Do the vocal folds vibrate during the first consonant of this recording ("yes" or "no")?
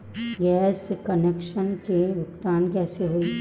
yes